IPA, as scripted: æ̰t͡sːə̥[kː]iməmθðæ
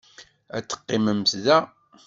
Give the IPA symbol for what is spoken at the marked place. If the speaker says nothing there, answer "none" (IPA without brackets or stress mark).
qː